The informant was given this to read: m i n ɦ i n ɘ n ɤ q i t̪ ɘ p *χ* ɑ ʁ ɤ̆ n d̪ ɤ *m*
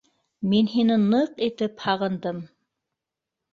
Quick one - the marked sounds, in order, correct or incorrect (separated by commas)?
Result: incorrect, correct